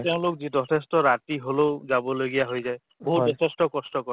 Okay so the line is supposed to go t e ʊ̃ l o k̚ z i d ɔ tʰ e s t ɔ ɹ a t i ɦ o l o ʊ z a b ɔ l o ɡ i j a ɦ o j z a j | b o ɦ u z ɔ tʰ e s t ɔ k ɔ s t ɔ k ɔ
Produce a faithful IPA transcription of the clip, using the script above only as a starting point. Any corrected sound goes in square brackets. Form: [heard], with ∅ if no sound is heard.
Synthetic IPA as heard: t e ʊ̃ l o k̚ z i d ɔ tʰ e s t ɔ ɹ a t i ɦ o l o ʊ z a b ɔ l o ɡ i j a ɦ o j z a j | b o ɦ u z ɔ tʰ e s t ɔ k ɔ s t ɔ k ɔ